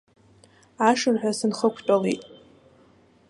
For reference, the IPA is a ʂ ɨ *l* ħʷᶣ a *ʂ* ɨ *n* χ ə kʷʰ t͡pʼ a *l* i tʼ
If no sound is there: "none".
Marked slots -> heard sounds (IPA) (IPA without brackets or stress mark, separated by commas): r, s, n, l